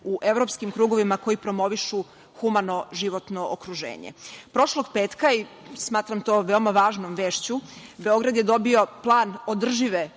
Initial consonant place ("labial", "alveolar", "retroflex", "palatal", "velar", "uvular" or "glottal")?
glottal